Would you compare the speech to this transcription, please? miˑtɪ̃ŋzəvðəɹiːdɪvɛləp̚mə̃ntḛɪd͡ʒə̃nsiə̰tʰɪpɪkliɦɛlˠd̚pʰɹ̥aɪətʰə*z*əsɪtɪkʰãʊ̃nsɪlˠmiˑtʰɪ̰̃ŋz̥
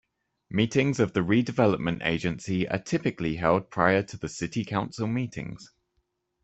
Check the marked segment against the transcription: incorrect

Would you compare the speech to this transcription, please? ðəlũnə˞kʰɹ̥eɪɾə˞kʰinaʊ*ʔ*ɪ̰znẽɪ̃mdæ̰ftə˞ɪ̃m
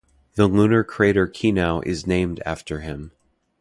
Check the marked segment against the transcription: correct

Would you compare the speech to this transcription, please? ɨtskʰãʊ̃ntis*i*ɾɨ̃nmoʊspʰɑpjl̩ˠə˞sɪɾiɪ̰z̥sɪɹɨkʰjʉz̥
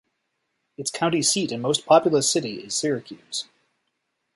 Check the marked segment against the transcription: correct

